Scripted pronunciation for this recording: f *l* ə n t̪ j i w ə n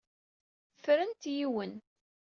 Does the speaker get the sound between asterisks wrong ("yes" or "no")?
yes